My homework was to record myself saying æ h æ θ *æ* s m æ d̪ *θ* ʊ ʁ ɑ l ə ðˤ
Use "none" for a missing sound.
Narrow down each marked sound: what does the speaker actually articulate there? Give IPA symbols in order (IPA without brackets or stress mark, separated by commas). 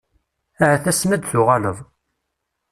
æ, θ